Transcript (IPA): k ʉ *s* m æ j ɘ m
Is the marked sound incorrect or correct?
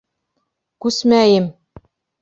correct